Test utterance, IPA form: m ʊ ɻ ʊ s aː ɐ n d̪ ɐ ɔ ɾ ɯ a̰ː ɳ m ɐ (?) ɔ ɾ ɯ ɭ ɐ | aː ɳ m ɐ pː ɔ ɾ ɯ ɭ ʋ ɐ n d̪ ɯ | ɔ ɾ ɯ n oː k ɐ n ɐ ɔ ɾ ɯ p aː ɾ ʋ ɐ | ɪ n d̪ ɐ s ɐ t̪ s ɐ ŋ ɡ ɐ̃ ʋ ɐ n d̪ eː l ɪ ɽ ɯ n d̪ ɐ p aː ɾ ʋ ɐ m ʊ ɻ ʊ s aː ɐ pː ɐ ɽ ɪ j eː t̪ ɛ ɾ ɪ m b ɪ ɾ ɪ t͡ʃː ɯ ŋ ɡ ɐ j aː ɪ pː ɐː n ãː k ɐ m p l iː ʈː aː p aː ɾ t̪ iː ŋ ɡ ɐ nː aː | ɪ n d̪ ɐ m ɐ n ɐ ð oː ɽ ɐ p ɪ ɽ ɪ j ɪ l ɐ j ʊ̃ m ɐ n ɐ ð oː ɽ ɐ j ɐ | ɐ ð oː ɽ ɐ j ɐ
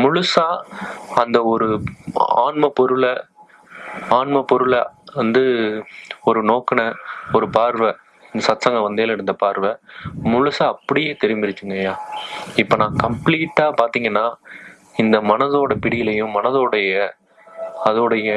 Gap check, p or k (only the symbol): p